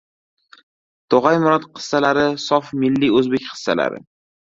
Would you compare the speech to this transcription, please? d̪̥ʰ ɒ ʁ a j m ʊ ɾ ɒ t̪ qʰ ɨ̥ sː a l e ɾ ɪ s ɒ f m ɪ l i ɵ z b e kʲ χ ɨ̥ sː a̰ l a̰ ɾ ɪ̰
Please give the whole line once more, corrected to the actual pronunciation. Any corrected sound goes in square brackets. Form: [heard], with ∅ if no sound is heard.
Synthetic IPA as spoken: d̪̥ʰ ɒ ʁ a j m ʊ ɾ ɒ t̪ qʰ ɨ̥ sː a l [a] ɾ ɪ s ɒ f m ɪ [lː] i ɵ z b e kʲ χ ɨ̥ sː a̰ l a̰ ɾ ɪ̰